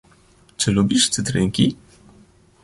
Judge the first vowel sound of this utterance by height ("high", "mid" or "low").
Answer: mid